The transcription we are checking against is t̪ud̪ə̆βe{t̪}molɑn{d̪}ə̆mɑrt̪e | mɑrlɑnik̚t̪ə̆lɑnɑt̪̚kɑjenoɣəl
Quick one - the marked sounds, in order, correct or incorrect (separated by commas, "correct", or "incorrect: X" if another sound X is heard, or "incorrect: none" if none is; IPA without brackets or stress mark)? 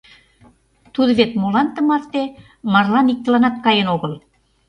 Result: correct, incorrect: t̪